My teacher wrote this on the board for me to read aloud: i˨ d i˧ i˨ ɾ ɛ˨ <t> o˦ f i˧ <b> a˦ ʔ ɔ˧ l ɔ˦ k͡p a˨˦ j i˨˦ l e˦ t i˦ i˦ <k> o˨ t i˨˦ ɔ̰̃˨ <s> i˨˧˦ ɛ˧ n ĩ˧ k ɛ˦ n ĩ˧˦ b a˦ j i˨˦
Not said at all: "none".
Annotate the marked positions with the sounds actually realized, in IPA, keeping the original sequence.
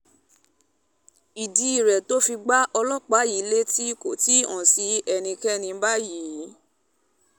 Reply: t, ɡ͡b, k, s

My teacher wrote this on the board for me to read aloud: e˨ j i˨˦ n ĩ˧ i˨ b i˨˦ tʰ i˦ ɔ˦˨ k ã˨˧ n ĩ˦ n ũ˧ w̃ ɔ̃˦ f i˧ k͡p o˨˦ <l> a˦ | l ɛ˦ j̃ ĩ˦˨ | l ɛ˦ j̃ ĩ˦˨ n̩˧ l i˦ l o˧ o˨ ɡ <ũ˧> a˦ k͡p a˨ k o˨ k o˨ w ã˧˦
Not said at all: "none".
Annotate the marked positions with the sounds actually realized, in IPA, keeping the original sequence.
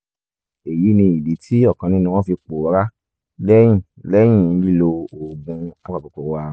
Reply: ɾ, ũ˧

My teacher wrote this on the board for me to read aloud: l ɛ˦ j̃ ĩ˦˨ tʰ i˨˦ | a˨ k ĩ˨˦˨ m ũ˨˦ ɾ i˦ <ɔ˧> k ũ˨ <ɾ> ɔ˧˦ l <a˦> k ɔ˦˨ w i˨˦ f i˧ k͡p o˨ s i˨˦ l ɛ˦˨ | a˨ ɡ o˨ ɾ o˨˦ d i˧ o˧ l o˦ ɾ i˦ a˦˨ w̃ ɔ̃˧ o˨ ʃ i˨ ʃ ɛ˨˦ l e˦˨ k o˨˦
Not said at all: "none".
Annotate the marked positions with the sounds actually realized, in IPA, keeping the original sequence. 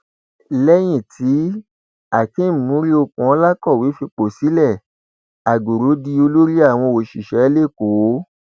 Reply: o˧, none, a˦

